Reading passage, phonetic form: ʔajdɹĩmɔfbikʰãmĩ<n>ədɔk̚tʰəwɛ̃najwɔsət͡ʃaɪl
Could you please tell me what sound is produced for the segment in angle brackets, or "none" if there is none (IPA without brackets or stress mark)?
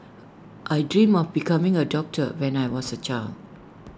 ŋ